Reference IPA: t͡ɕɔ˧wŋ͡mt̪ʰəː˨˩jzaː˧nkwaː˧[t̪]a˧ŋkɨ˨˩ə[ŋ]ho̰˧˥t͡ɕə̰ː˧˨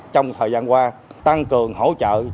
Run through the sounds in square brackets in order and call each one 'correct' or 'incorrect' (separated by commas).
correct, correct